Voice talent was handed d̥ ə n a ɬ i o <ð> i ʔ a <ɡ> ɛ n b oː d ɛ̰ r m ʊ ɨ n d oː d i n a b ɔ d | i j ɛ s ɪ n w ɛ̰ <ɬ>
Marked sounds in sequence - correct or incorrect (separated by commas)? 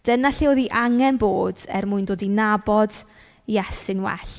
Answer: correct, incorrect, correct